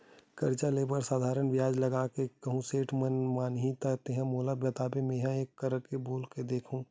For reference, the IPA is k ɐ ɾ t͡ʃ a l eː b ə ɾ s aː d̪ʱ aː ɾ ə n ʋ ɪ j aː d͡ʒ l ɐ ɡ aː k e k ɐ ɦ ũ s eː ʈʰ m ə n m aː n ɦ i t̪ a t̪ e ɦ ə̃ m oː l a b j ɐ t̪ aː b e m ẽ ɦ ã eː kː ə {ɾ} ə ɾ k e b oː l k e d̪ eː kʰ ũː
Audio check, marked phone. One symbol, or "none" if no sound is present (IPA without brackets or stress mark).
ɾ